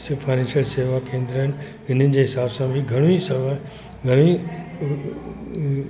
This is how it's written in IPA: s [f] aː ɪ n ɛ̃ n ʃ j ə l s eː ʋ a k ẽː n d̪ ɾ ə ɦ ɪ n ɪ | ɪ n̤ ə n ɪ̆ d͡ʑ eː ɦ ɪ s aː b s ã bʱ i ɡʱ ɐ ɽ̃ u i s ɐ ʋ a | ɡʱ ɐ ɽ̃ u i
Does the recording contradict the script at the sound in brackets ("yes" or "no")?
no